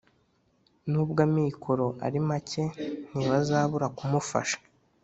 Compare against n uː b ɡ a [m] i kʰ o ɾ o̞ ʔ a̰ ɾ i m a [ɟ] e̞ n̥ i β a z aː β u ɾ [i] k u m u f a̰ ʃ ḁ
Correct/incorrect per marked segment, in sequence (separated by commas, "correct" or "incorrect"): correct, incorrect, incorrect